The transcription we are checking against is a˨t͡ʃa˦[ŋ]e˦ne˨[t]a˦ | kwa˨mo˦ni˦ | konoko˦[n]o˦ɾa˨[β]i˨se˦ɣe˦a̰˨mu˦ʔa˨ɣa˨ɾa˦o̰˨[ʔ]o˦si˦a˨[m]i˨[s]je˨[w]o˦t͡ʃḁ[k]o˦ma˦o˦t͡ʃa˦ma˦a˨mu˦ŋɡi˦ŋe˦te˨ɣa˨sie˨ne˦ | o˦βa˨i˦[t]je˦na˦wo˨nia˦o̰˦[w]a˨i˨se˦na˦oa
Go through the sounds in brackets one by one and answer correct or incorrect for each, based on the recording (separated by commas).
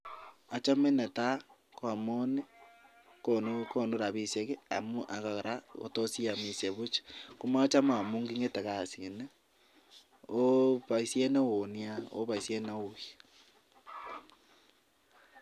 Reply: incorrect, correct, correct, correct, incorrect, correct, correct, incorrect, correct, incorrect, incorrect